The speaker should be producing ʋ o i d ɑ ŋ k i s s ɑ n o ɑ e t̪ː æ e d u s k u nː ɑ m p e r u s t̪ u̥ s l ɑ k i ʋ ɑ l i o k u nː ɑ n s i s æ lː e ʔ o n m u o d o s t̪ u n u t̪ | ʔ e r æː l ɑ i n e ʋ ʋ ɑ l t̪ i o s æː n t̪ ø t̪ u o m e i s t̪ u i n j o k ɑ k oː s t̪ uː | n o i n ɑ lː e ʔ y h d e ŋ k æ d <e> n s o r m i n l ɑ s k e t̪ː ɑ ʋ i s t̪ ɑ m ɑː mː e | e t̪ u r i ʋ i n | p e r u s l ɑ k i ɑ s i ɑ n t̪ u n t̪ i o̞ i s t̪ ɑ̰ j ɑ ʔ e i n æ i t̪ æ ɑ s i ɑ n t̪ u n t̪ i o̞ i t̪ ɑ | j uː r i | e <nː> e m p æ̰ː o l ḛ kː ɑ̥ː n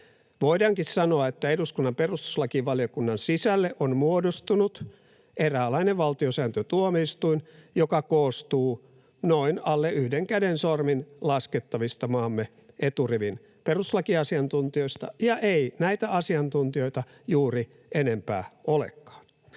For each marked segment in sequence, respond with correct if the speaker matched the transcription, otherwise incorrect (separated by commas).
correct, incorrect